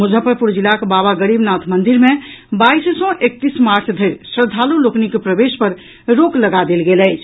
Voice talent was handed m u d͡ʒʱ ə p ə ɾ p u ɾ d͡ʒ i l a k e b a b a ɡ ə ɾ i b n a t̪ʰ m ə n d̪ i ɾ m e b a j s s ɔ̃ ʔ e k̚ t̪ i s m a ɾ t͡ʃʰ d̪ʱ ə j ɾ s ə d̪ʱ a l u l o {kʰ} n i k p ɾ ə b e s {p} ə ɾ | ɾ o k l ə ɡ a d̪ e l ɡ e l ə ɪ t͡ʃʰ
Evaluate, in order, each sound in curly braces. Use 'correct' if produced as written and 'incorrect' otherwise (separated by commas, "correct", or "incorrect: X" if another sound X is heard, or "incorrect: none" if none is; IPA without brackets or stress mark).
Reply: incorrect: k, correct